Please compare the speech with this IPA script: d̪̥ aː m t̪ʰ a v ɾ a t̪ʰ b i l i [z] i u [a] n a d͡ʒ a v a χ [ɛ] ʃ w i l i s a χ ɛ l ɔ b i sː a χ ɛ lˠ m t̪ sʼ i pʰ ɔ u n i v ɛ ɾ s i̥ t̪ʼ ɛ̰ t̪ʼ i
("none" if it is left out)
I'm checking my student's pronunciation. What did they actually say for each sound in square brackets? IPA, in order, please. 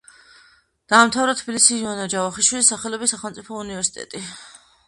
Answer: s, a, i

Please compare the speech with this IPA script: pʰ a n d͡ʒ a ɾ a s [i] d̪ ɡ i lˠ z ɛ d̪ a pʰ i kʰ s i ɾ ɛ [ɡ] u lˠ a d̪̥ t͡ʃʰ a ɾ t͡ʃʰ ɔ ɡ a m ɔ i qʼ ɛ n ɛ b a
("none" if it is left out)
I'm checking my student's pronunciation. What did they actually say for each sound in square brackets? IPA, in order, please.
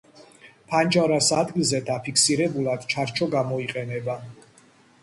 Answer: a, b

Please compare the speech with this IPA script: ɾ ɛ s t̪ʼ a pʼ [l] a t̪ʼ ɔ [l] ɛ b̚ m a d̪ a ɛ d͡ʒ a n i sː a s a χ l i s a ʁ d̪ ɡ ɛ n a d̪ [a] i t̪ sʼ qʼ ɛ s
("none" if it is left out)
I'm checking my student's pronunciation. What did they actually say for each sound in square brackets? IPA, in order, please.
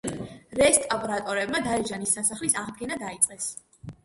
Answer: ɾ, ɾ, a

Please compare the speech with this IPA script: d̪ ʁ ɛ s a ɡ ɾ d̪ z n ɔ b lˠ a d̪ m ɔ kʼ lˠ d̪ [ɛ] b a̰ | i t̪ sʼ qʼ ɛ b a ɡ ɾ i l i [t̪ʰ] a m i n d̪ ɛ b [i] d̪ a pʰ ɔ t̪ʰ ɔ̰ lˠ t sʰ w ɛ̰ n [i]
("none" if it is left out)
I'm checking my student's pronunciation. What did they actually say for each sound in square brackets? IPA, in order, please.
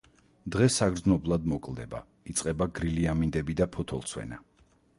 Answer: ɛ, none, i, a

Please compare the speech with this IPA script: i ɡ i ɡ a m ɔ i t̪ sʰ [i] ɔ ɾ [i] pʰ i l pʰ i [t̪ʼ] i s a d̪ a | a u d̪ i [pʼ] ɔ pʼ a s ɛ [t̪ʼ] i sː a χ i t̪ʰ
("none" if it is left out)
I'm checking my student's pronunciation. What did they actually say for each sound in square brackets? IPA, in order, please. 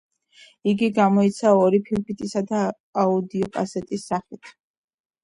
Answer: a, i, t̪ʼ, none, t̪ʼ

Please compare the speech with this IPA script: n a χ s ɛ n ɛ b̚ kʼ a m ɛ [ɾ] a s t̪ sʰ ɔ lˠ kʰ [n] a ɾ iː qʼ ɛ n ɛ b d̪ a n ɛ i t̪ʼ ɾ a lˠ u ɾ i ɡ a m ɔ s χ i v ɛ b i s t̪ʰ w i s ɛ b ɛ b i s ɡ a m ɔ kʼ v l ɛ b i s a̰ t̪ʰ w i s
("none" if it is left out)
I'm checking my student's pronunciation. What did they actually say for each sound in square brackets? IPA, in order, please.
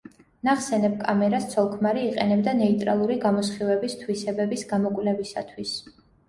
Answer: ɾ, m

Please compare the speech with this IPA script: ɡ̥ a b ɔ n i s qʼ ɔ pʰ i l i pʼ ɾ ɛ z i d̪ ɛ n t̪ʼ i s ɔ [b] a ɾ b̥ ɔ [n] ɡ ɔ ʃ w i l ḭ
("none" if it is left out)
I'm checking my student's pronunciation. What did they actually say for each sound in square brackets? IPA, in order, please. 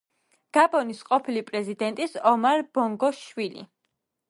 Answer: m, ŋ

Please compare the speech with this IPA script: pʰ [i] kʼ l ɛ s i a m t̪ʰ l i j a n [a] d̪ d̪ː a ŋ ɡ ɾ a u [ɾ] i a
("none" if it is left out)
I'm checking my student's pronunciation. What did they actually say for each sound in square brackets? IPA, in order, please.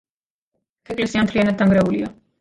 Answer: ɛ, a, l

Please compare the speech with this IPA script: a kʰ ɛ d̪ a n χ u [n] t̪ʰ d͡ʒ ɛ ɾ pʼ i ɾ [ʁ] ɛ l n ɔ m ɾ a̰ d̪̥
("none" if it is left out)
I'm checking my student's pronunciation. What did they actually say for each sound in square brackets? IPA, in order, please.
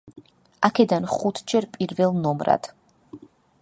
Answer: none, v

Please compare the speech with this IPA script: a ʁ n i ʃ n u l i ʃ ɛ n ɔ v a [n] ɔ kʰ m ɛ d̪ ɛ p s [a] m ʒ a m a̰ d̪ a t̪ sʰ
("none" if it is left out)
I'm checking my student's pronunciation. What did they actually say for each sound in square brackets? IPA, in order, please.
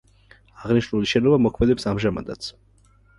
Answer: m, a

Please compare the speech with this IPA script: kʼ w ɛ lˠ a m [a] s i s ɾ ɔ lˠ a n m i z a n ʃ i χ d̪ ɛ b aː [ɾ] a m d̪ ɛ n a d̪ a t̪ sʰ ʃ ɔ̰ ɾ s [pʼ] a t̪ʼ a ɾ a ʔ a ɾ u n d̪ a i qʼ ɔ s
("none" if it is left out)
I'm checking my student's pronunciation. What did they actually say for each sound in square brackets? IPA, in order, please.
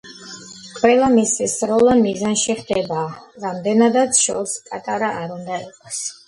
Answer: i, ɾ, pʼ

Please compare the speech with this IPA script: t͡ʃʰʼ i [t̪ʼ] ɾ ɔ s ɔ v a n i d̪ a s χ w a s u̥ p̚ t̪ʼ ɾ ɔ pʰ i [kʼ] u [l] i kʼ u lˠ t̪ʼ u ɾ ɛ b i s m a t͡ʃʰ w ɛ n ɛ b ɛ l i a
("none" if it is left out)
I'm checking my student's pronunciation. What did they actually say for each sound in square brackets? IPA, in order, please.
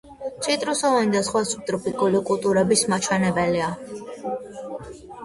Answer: t̪ʼ, kʼ, l

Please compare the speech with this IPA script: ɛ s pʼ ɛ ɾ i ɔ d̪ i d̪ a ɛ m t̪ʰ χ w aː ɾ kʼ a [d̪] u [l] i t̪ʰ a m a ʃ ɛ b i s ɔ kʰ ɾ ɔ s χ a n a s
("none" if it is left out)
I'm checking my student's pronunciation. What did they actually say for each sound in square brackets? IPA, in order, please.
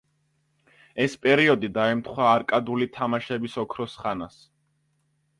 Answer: d̪, l

